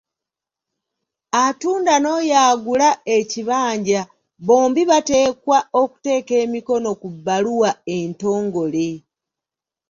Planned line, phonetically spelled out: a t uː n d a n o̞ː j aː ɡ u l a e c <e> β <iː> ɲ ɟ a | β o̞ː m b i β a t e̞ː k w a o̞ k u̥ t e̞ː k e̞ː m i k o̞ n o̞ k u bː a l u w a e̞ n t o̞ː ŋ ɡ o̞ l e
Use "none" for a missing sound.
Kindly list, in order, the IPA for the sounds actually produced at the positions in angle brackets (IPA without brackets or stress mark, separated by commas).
i, aː